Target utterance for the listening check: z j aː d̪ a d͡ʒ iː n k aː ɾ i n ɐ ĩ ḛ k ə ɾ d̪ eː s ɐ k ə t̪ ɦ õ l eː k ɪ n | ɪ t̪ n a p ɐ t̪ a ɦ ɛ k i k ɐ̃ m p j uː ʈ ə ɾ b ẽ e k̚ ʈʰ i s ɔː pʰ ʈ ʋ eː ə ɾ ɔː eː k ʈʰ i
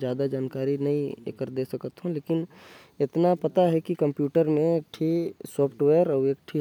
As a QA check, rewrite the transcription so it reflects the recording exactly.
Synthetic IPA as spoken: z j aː d̪ a d͡ʒ aː n k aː ɾ i n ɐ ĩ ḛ k ə ɾ d̪ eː s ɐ k ə t̪ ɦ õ l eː k ɪ n | ɪ t̪ n a p ɐ t̪ a ɦ ɛ k i k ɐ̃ m p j uː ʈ ə ɾ m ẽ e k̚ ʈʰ i s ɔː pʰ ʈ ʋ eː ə ɾ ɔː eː k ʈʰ i